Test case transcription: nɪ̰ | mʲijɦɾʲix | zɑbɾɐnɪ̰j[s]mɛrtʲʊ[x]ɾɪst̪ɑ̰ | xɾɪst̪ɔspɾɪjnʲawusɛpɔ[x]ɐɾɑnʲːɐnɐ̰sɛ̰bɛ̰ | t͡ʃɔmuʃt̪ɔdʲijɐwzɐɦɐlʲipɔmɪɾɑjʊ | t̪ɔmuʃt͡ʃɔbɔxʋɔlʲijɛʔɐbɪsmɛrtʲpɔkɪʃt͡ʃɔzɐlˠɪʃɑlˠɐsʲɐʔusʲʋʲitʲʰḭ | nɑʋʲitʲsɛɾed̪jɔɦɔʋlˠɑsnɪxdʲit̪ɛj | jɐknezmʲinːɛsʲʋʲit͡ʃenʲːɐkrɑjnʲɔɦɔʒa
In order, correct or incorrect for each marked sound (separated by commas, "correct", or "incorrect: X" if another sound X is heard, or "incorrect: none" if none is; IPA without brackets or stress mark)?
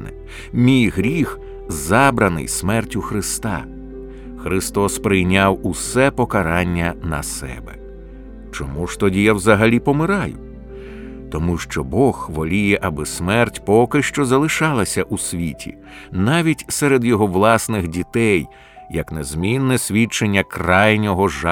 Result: correct, correct, incorrect: k